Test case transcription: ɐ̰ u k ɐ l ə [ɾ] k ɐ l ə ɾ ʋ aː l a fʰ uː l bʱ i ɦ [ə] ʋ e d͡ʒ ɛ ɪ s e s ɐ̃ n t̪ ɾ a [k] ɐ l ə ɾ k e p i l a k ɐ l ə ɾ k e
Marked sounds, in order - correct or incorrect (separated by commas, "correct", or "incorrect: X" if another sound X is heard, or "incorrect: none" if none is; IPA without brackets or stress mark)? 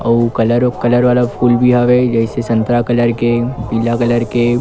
correct, incorrect: a, correct